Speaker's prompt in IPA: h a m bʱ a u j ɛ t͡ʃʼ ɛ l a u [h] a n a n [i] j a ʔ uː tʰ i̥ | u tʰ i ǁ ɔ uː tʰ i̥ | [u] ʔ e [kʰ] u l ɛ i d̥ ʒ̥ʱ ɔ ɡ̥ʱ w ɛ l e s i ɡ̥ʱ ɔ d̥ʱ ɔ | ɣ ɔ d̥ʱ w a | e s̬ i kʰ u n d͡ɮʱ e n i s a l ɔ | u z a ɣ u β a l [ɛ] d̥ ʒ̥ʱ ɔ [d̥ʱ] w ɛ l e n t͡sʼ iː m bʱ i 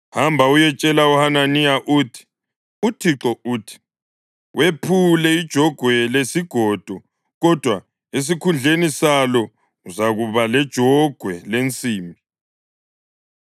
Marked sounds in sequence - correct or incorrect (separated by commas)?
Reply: correct, correct, incorrect, incorrect, correct, incorrect